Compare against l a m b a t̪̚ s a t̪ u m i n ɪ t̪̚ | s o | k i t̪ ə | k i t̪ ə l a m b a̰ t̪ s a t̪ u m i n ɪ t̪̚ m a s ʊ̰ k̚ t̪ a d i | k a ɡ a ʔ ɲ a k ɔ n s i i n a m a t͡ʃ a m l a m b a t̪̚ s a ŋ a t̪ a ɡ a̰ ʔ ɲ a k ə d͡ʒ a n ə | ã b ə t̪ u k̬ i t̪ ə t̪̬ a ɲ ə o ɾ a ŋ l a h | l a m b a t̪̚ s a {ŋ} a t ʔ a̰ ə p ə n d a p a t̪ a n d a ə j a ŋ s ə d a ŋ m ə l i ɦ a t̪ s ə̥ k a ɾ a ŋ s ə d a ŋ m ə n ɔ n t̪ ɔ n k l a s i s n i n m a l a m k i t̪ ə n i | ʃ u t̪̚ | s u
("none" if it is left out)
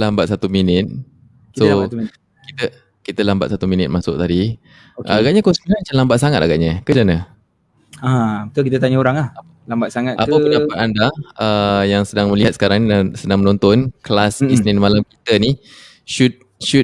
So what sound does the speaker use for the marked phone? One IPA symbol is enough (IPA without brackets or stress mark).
ŋ